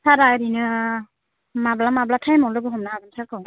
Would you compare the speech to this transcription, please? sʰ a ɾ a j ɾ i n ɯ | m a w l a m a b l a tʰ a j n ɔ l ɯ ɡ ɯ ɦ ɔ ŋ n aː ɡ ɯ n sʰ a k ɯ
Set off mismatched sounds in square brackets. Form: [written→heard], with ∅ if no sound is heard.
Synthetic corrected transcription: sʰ a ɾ a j ɾ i n ɯ | m a [w→b] l a m a b l a tʰ a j [n→m] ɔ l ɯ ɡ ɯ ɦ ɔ [ŋ→m] n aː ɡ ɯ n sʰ a k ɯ